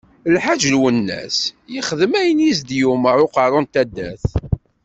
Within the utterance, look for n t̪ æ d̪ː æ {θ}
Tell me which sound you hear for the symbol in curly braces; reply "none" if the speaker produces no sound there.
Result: θ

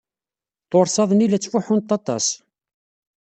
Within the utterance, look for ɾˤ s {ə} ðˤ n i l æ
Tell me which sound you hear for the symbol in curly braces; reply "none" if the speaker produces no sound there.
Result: ɑ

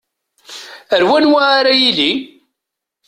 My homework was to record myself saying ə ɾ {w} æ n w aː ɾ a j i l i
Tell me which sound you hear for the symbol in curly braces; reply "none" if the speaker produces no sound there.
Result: w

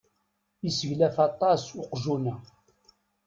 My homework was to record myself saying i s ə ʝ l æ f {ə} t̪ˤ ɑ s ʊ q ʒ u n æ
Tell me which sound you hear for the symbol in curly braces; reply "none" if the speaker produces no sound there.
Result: ɑ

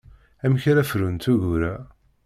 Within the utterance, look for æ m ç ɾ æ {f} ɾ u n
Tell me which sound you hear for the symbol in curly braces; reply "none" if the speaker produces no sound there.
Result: f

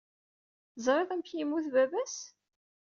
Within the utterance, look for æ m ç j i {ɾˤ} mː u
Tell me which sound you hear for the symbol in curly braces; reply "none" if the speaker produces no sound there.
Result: none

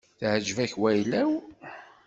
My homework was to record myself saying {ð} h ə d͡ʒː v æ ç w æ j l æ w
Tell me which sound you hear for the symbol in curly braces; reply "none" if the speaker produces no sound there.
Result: θ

